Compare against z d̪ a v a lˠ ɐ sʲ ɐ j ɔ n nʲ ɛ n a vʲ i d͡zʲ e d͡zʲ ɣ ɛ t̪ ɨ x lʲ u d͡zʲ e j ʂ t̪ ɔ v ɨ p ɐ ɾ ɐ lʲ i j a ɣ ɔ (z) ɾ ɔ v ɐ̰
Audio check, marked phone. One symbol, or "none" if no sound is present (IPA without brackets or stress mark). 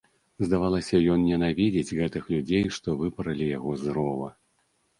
z